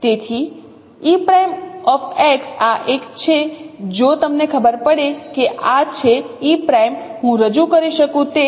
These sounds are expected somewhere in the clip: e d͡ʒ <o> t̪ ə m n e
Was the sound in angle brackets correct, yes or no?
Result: yes